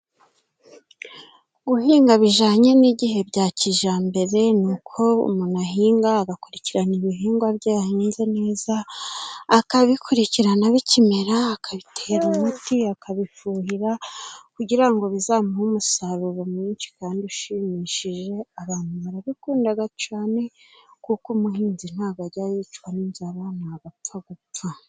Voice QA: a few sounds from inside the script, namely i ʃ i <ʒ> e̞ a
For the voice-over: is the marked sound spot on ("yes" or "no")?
yes